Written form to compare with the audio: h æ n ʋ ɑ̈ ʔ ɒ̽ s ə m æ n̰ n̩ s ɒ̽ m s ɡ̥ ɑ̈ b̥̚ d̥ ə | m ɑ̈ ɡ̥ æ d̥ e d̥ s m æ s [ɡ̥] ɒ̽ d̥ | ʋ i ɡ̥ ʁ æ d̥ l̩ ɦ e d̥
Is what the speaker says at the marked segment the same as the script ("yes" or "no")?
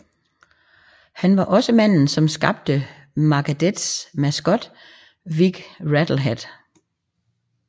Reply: yes